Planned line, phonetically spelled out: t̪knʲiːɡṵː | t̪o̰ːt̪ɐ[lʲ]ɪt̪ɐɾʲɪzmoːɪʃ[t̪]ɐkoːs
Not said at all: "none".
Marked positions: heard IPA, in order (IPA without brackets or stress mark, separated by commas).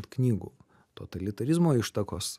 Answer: lʲ, t̪